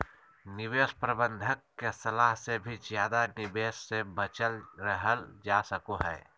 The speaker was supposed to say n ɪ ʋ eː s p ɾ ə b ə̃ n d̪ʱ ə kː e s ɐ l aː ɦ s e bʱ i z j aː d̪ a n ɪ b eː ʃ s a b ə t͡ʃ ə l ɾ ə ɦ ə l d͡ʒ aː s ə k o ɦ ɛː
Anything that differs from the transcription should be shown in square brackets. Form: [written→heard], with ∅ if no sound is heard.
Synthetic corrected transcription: n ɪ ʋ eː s p ɾ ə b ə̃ n d̪ʱ ə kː e s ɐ l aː ɦ s e bʱ i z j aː d̪ a n ɪ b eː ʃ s [a→e] b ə t͡ʃ ə l ɾ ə ɦ ə l d͡ʒ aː s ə k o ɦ ɛː